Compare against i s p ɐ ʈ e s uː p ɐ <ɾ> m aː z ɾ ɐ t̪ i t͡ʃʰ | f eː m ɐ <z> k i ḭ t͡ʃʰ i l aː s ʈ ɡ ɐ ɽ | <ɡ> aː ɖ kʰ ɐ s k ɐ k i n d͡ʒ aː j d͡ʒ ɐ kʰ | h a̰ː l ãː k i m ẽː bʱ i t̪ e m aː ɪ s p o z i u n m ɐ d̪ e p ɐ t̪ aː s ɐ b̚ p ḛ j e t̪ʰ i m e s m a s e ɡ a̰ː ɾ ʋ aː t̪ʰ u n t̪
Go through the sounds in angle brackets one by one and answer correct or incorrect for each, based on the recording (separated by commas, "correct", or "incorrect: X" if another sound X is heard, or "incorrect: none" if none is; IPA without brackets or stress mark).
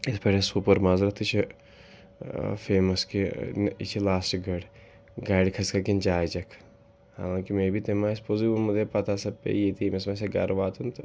correct, incorrect: s, correct